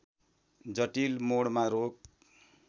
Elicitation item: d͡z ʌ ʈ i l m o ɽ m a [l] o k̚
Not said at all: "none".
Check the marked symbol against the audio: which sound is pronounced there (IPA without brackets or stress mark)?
ɾ